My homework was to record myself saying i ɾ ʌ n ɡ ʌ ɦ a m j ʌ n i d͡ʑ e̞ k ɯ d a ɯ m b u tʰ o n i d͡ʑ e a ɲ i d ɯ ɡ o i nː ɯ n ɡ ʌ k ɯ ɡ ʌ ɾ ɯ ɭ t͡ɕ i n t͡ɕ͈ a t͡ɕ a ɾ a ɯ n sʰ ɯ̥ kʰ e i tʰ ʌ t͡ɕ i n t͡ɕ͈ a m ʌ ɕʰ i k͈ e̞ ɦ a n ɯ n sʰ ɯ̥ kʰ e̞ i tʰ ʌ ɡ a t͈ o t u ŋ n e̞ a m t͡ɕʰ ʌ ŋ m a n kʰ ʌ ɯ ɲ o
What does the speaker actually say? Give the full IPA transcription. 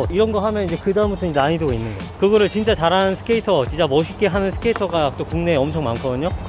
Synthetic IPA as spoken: i ɾ ʌ n ɡ ʌ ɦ a m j ʌ n i d͡ʑ e̞ k ɯ d a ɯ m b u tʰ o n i d͡ʑ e a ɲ i d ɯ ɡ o i nː ɯ n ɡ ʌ k ɯ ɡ ʌ ɾ ɯ ɭ t͡ɕ i n t͡ɕ͈ a t͡ɕ a ɾ a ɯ n sʰ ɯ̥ kʰ e i tʰ ʌ t͡ɕ i n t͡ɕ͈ a m ʌ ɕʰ i k͈ e̞ ɦ a n ɯ n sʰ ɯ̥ kʰ e̞ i tʰ ʌ ɡ a t͈ o k u ŋ n e̞ ʌ m t͡ɕʰ ʌ ŋ m a n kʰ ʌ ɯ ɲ o